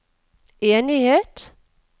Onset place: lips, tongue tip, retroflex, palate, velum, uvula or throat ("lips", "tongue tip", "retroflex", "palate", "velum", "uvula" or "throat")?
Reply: tongue tip